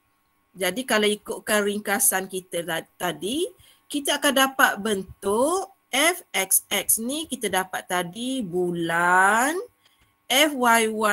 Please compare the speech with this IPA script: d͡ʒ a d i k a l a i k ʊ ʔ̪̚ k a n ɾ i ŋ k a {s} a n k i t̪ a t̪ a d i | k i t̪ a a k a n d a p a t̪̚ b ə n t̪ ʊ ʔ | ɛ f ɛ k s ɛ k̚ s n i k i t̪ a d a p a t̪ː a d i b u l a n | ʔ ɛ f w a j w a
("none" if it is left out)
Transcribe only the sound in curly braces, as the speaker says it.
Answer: s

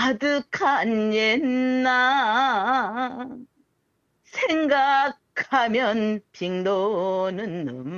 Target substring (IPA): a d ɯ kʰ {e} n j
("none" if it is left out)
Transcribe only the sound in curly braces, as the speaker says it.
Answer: a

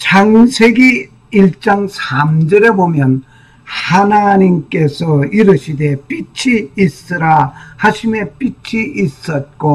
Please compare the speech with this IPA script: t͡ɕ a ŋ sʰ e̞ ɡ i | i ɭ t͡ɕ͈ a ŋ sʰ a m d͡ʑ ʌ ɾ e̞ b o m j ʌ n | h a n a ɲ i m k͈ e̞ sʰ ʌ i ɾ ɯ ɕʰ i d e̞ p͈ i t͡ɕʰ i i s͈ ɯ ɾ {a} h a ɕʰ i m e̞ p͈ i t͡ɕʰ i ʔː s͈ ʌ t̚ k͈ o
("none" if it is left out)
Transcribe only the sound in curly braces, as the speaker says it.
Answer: a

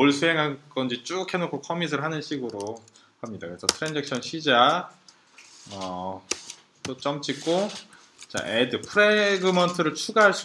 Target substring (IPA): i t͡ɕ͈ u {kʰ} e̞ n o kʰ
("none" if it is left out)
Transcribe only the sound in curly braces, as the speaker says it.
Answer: kʰ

